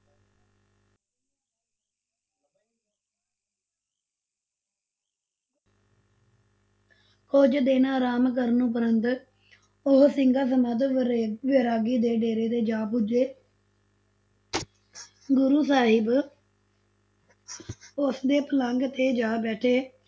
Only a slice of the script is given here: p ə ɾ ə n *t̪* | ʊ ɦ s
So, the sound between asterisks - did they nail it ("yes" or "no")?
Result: yes